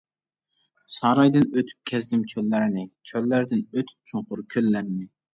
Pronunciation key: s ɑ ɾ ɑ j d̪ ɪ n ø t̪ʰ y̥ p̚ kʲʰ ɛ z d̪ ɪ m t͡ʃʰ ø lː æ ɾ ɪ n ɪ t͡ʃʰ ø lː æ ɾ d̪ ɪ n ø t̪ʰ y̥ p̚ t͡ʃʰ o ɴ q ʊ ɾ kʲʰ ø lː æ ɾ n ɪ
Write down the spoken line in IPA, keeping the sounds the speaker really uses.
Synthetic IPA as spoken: s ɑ ɾ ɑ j d̪ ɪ n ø t̪ʰ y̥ p̚ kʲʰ ɛ z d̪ ɪ m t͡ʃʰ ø lː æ ɾ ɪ n ɪ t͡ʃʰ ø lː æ ɾ d̪ ɪ n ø t̪ʰ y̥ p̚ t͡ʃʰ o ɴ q ʊ ɾ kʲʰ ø lː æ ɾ n ɪ